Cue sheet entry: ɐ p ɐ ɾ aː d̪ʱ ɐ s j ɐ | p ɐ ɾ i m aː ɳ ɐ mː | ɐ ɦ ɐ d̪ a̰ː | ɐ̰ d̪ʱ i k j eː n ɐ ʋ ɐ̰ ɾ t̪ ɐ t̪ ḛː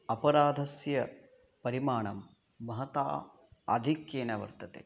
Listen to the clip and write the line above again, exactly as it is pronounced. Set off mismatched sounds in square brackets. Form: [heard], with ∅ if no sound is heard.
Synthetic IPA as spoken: ɐ p ɐ ɾ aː d̪ʱ ɐ s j ɐ | p ɐ ɾ i m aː ɳ ɐ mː | ɐ ɦ ɐ [t̪] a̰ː | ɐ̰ d̪ʱ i k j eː n ɐ ʋ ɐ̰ ɾ t̪ ɐ t̪ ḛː